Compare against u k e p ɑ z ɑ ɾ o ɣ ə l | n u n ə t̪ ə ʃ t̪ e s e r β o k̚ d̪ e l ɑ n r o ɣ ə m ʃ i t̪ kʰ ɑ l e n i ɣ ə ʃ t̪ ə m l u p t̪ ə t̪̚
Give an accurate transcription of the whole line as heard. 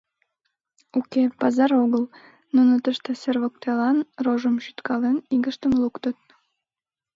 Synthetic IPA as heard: u k e p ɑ z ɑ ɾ o ɣ ə l | n u n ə t̪ ə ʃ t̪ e s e r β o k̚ t̪ e l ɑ n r o ʒ ə m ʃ y t̪ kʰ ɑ l e n i ɣ ə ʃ t̪ ə m l u k t̪ ə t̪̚